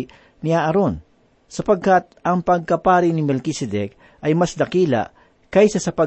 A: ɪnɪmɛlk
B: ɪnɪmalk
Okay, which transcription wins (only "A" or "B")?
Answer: A